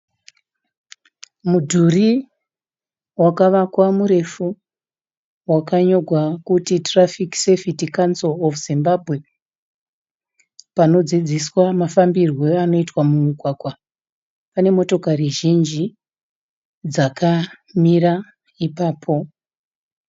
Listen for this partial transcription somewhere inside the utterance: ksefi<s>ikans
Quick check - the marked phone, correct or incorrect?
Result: incorrect